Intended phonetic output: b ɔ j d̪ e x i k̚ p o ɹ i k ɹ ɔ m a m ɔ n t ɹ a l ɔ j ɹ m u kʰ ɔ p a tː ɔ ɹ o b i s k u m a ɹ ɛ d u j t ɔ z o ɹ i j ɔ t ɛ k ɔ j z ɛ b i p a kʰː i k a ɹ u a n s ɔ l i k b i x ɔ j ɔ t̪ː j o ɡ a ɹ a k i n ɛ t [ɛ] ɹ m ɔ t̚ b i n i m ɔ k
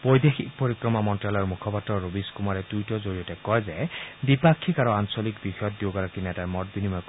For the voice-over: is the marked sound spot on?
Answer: no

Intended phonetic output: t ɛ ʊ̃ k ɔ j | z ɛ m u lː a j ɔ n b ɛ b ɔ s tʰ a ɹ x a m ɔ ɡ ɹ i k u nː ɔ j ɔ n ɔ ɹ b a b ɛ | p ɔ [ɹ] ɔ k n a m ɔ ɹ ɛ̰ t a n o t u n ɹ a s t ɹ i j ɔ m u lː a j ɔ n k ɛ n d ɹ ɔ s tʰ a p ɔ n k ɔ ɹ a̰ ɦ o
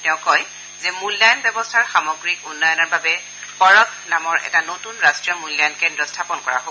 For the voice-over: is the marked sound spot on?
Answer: yes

